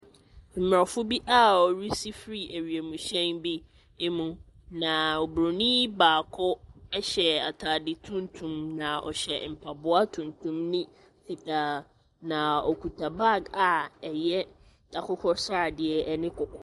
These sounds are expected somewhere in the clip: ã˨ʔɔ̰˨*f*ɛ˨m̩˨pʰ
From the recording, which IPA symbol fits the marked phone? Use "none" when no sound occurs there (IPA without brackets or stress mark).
ɕ